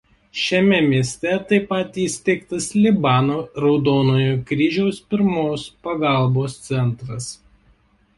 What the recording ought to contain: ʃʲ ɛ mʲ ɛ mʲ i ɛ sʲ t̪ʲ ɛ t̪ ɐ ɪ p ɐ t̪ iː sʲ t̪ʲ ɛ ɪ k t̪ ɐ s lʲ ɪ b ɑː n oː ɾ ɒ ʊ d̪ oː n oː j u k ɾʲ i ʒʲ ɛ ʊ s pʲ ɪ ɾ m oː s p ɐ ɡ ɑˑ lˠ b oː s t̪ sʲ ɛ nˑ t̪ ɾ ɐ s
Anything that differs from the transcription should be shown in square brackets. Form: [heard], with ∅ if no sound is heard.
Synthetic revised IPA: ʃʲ ɛ mʲ ɛ mʲ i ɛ sʲ t̪ʲ ɛ t̪ ɐ ɪ p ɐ t̪ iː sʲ t̪ʲ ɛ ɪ k t̪ ɐ s lʲ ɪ b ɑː n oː ɾ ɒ ʊ d̪ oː n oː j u k ɾʲ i ʒʲ ɛ ʊ s pʲ ɪ ɾ m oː s p ɐ ɡ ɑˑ lˠ b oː s t̪ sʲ ɛ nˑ t̪ ɾ ɐ s

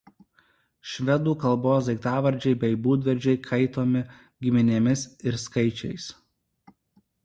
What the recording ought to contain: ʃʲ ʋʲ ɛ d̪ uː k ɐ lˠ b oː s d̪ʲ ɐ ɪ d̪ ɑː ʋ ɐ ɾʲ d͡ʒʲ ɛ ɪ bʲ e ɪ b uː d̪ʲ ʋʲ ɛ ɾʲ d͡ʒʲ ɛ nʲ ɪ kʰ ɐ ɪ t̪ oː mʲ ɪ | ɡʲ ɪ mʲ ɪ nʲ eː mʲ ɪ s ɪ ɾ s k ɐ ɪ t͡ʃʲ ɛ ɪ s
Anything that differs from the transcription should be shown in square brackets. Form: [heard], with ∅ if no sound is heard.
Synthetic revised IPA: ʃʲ ʋʲ ɛ d̪ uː k ɐ lˠ b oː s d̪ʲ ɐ ɪ [t̪] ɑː ʋ ɐ ɾʲ d͡ʒʲ ɛ ɪ bʲ [ɛ] ɪ b uː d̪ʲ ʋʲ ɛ ɾʲ d͡ʒʲ ɛ [∅] ɪ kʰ ɐ ɪ t̪ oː mʲ ɪ | ɡʲ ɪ mʲ ɪ nʲ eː mʲ ɪ s ɪ ɾ s k ɐ ɪ t͡ʃʲ ɛ ɪ s

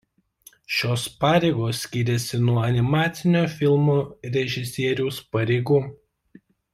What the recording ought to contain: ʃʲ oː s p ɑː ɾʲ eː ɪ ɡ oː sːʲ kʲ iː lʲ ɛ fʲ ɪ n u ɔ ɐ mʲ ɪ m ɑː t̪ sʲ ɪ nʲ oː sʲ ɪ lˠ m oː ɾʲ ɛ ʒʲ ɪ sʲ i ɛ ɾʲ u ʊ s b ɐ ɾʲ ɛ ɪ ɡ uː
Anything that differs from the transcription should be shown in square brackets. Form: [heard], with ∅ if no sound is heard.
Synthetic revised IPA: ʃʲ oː s p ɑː ɾʲ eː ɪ ɡ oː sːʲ kʲ iː [ɾʲ] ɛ [sʲ] ɪ n u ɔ ɐ [nʲ] ɪ m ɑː t̪ sʲ ɪ nʲ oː [fʲ] ɪ lˠ m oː ɾʲ ɛ ʒʲ ɪ sʲ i ɛ ɾʲ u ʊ s [p] ɐ ɾʲ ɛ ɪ ɡ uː

